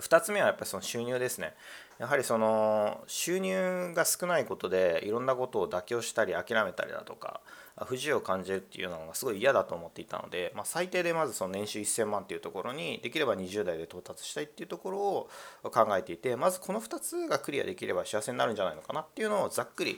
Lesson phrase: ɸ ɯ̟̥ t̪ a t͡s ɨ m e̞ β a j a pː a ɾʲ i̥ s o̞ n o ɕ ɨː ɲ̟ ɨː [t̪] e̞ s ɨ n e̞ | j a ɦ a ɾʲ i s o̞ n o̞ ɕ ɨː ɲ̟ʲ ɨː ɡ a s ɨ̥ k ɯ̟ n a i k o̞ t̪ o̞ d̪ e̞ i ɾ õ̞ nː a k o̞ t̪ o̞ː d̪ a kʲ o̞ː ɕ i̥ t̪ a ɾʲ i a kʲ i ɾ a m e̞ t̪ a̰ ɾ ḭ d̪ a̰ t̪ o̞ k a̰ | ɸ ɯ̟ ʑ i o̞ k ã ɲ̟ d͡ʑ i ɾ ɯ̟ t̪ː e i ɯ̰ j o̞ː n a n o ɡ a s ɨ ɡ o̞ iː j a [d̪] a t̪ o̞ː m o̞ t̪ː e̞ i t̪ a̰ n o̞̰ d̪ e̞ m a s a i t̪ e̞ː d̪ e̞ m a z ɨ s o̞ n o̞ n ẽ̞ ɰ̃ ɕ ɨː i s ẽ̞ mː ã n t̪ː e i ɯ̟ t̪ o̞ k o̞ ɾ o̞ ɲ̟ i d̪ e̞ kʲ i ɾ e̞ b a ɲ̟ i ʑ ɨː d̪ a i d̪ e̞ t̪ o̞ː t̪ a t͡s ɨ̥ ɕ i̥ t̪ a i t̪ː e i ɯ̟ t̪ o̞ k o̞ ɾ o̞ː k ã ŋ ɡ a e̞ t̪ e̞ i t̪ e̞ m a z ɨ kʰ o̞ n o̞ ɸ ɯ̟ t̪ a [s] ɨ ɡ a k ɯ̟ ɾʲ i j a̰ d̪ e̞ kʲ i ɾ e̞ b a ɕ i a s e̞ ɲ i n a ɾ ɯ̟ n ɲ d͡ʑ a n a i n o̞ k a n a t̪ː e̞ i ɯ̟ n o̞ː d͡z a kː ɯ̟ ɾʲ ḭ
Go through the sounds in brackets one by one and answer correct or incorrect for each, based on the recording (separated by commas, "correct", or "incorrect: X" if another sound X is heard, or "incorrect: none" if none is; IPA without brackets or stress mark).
incorrect: d̪, correct, incorrect: t͡s